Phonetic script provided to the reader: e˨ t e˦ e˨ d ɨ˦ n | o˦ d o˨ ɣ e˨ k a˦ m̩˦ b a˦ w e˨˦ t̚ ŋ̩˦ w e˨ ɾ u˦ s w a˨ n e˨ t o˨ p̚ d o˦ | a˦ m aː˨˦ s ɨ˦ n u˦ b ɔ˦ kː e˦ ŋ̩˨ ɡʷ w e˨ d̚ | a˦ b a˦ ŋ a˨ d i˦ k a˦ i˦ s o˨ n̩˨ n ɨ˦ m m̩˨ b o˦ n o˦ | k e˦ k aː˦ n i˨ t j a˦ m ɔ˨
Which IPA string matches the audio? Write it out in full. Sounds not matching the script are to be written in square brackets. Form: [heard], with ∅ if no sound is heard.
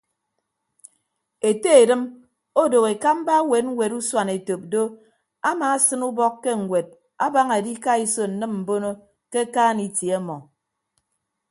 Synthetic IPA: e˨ t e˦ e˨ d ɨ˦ [m] | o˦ d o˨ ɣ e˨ k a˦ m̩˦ b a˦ w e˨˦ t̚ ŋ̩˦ w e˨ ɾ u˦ s w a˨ n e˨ t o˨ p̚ d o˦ | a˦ m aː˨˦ s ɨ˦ n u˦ b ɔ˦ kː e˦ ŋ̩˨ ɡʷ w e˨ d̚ | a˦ b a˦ ŋ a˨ d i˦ k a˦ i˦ s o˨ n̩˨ n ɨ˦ m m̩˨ b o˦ n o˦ | k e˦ k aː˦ n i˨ t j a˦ m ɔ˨